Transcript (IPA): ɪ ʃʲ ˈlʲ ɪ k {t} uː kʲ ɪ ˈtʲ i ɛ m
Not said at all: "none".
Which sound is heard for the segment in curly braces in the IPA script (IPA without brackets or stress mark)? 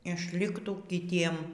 t